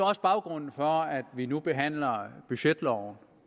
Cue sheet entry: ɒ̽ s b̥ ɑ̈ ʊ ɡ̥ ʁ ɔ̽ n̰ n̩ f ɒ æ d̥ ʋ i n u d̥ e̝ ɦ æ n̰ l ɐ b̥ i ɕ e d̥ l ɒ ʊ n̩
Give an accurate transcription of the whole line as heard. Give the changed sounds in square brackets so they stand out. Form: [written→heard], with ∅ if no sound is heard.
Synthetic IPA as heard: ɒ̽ s b̥ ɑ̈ ʊ ɡ̥ ʁ ɔ̽ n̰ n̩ f ɒ æ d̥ ʋ i n u [d̥→b̥] e̝ ɦ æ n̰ l ɐ b̥ [i→y] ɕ e d̥ l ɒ ʊ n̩